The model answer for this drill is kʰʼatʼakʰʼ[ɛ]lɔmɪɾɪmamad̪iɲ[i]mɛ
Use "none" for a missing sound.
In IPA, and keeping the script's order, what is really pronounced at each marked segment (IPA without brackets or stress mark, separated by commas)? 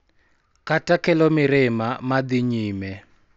ɛ, iː